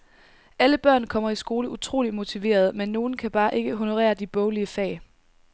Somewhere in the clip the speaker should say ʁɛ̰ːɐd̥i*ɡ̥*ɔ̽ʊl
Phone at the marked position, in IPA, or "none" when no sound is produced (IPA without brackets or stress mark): b̥